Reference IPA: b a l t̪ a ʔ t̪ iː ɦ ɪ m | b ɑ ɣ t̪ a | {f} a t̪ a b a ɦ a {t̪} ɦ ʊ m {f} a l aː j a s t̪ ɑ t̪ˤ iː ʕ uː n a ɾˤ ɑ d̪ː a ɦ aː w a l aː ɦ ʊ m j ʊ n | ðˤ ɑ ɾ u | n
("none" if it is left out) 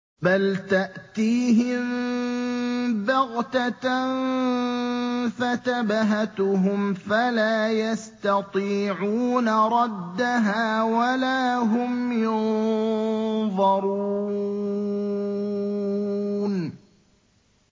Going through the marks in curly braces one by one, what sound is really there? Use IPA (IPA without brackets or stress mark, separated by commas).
f, t̪, f